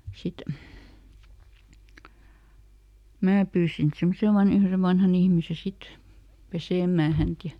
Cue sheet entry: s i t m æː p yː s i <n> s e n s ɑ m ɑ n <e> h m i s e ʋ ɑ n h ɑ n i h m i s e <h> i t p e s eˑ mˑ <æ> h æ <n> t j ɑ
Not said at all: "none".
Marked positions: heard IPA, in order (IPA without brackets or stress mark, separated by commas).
n, i, s, æː, n